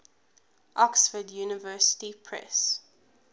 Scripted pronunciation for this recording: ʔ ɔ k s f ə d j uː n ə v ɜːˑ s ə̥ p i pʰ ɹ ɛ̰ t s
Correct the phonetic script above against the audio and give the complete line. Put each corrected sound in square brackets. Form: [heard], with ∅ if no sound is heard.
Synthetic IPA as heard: ʔ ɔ k s f ə d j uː n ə v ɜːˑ s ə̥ [t] i pʰ ɹ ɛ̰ [∅] s